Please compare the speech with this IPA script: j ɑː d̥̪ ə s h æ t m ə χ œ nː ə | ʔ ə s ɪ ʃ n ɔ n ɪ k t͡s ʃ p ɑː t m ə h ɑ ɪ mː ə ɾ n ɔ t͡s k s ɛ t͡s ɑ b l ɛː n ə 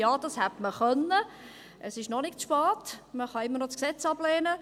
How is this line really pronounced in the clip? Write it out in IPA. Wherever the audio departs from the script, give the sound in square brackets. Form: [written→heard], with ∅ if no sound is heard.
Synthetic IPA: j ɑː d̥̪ [ə→ɑ] s h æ t m ə χ œ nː ə | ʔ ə s ɪ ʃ n ɔ n ɪ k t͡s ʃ p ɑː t m ə [h→χ] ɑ ɪ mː ə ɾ n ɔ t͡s k s ɛ t͡s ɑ b l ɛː n ə